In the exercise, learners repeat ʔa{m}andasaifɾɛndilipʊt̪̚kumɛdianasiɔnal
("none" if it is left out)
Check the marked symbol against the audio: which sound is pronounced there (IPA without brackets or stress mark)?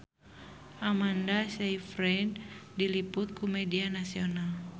m